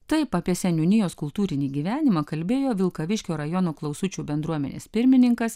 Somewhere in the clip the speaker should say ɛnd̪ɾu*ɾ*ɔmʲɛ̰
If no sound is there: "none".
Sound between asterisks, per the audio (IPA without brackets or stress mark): none